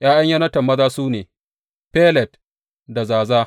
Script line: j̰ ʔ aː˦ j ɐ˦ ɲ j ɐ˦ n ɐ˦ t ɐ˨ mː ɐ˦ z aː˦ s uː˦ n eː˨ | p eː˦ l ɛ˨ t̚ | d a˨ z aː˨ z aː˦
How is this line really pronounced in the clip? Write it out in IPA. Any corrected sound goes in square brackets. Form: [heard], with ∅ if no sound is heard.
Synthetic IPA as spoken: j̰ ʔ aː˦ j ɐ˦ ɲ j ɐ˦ n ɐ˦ t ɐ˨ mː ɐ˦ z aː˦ s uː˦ n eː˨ | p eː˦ l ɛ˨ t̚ | d a˨ z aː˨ z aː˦